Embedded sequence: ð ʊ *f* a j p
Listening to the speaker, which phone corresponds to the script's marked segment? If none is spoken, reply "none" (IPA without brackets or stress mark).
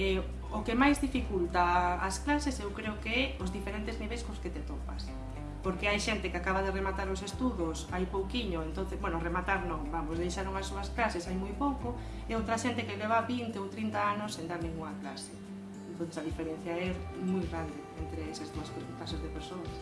s